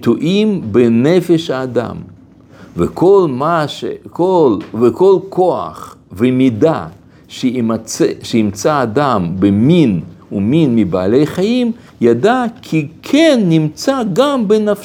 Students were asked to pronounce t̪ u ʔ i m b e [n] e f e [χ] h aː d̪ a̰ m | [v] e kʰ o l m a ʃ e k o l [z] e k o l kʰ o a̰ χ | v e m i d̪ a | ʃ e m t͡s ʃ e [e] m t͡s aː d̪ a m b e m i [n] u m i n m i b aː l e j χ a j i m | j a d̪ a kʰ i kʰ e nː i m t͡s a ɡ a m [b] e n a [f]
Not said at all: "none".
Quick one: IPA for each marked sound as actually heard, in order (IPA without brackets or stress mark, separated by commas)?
n, ʃ, v, v, i, n, b, f